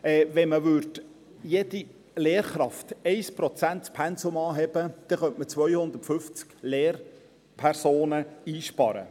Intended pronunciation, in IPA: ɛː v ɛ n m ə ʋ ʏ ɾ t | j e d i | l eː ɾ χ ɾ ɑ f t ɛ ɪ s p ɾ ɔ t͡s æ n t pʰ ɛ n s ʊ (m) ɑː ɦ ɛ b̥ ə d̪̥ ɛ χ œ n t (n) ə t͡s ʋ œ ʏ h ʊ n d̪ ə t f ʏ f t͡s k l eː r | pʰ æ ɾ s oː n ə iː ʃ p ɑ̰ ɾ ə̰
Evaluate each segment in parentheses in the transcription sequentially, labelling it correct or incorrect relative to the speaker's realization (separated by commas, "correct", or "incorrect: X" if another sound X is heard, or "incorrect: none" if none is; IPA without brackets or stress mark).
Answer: correct, incorrect: m